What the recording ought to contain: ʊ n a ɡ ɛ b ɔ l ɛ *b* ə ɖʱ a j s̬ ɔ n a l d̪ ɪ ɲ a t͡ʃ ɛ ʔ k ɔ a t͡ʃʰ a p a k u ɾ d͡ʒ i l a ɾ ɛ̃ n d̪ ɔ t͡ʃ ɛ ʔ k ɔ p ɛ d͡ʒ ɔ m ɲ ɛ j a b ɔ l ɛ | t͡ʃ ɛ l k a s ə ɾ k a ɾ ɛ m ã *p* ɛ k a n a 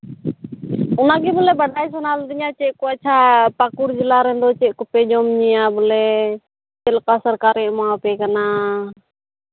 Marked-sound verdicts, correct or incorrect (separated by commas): correct, correct